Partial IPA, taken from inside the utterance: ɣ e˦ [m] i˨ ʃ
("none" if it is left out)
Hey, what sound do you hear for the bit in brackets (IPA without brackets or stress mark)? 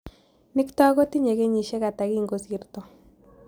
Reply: ɲ